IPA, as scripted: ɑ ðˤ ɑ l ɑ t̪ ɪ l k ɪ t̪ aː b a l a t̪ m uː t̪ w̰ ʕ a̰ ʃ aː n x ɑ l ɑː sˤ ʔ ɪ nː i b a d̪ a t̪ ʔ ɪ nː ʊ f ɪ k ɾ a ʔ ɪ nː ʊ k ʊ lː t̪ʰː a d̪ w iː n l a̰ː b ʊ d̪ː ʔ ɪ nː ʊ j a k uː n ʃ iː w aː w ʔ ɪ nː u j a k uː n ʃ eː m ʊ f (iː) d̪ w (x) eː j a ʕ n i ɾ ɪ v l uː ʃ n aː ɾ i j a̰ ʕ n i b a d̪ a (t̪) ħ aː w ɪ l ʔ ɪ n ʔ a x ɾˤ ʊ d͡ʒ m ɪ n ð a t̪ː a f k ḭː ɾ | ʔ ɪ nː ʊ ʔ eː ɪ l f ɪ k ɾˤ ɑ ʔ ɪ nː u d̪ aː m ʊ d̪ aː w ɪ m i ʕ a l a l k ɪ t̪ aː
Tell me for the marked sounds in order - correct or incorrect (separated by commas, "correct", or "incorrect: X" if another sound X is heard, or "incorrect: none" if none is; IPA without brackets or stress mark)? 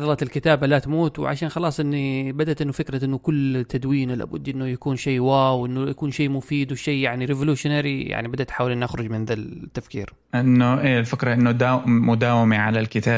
correct, incorrect: ʃ, correct